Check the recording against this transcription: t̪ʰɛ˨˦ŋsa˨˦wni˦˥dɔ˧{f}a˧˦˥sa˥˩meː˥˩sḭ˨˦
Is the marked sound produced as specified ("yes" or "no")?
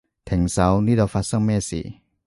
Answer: yes